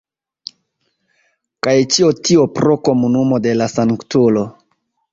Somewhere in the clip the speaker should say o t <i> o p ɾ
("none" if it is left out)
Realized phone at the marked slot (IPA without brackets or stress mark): i